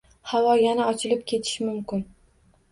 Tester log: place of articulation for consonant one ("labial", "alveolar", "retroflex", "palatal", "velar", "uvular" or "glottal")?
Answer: glottal